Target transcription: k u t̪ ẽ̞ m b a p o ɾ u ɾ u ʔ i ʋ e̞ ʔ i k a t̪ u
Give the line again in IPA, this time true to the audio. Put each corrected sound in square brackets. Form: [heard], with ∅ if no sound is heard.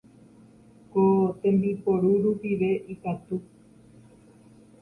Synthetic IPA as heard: k [o] t̪ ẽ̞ m b [i] p o ɾ u ɾ u [p] i ʋ e̞ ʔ i k a t̪ u